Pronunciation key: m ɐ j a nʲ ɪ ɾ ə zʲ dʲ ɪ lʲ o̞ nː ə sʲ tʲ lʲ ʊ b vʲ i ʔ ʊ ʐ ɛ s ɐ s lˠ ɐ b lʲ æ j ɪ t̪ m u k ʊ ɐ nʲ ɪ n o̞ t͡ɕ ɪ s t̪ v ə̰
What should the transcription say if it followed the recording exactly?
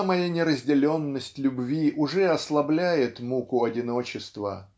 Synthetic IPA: m ɐ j a nʲ ɪ ɾ ə zʲ dʲ ɪ lʲ o̞ nː ə sʲ tʲ lʲ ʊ b vʲ i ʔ ʊ ʐ ɛ ɐ s lˠ ɐ b lʲ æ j ɪ t̪ m u k ʊ ɐ dʲ ɪ n o̞ t͡ɕ ɪ s t̪ v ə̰

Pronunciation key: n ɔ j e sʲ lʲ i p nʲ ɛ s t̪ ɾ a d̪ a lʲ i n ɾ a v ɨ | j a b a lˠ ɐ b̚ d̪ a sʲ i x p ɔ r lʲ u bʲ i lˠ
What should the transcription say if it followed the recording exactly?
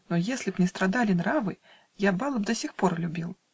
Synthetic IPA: n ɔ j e sʲ lʲ i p nʲ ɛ s t̪ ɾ a d̪ a lʲ i n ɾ a v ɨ | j a b a lˠ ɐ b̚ d̪ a sʲ i x p ɔ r lʲ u bʲ i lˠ

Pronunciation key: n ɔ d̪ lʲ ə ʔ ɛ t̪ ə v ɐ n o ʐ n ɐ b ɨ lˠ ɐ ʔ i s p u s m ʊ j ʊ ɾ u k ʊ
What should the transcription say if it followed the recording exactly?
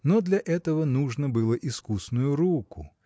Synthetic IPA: n ɔ d̪ lʲ ɐ ʔ ɛ t̪ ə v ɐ n u ʐ n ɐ b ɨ lˠ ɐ ʔ i s k u s n ʊ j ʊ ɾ u k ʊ

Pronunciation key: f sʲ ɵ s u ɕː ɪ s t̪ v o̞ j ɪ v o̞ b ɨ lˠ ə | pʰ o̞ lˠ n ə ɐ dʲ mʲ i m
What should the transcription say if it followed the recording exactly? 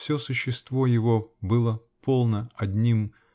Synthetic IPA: f sʲ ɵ s ʊ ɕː ɪ s t̪ v o̞ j ɪ v o̞ b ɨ lˠ ə | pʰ o̞ lˠ n ə ɐ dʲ nʲ i m

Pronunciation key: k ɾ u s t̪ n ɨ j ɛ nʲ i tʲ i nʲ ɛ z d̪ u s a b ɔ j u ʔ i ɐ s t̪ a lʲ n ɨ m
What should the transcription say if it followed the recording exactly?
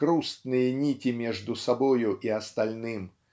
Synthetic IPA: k ɾ u s t̪ n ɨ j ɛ nʲ i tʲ i mʲ ɛ ʐ d̪ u s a b ɔ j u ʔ i ɐ s t̪ a lʲ n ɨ m

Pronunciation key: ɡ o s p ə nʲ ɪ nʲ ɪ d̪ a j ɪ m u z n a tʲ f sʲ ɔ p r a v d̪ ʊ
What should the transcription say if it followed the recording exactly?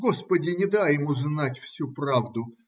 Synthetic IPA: ɡ o s p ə dʲ ɪ nʲ ɪ d̪ a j ɪ m u z n a tʲ f sʲ u p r a v d̪ ʊ

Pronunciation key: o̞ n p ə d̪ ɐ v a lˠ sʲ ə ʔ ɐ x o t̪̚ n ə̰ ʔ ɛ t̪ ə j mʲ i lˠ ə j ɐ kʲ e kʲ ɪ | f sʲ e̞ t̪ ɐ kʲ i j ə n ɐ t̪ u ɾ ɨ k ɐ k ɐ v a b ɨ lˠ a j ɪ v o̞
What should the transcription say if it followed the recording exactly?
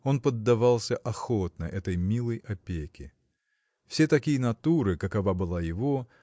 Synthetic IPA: o̞ n p ə d̪ː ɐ v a lˠ sʲ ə ʔ ɐ x o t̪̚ n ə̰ ʔ ɛ t̪ ə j mʲ i lˠ ə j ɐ pʲ e kʲ ɪ | f sʲ e̞ t̪ ɐ kʲ i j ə n ɐ t̪ u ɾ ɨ k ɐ k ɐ v a b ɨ lˠ a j ɪ v o̞

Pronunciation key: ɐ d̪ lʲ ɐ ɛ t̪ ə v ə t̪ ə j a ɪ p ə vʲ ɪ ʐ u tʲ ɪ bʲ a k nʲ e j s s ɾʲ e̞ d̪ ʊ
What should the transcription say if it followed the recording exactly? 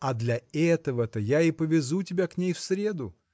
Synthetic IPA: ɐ d̪ lʲ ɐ ɛ t̪ ə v ə t̪ ə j a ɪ p ə vʲ ɪ z u tʲ ɪ bʲ a k nʲ e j f s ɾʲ e̞ d̪ ʊ

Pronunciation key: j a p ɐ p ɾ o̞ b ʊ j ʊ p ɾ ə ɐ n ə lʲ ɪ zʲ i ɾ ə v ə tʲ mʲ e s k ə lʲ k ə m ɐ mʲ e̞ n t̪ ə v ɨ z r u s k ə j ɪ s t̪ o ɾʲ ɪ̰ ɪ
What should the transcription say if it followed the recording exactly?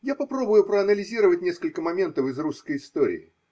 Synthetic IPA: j a p ɐ p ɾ o̞ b ʊ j ʊ p ɾ ə ɐ n ə lʲ ɪ zʲ i ɾ ə v ə tʲ nʲ e s k ə lʲ k ə m ɐ mʲ e̞ n t̪ ə f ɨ z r u s k ə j ɪ s t̪ o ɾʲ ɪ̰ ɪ

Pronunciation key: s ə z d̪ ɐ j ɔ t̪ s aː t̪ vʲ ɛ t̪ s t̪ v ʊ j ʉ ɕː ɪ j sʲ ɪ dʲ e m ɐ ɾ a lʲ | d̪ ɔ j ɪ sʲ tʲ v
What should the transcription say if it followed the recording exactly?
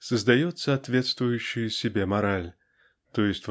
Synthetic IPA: s ə z d̪ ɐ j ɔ t̪ s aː t̪ vʲ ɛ t̪ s t̪ v ʊ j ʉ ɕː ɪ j sʲ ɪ bʲ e m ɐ ɾ a lʲ | t̪ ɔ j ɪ sʲ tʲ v

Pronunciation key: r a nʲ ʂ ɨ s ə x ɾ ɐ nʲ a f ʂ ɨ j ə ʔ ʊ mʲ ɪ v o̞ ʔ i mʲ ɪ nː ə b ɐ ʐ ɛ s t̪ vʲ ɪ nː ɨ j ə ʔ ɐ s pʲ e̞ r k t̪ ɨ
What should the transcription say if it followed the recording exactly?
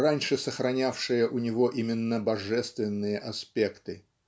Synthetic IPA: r a nʲ ʂ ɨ s ə x ɾ ɐ nʲ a f ʂ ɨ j ə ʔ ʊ nʲ ɪ v o̞ ʔ i mʲ ɪ nː ə b ɐ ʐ ɛ s t̪ vʲ ɪ nː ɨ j ə ʔ ɐ s pʲ e̞ k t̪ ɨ

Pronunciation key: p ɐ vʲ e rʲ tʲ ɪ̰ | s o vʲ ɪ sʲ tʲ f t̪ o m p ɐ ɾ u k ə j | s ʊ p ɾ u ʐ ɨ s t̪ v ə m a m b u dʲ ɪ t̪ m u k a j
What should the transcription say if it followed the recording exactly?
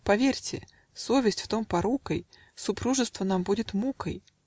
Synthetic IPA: p ɐ vʲ e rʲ tʲ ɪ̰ | s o vʲ ɪ sʲ tʲ f t̪ o m p ɐ ɾ u k ə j | s ʊ p ɾ u ʐ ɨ s t̪ v ə n a m b u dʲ ɪ t̪ m u k ə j

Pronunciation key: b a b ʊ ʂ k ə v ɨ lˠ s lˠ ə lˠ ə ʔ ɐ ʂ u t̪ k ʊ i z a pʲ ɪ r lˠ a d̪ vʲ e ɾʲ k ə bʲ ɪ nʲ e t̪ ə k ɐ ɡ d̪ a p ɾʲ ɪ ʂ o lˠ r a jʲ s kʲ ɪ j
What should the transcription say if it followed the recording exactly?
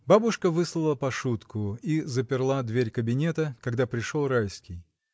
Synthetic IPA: b a b ʊ ʂ k ə v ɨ s lˠ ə lˠ ə p ɐ ʂ u t̪ k ʊ i z ə pʲ ɪ r lˠ a d̪ vʲ e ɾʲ k ə bʲ ɪ nʲ e t̪ ə k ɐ ɡ d̪ a p ɾʲ ɪ ʂ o lˠ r a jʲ s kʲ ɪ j

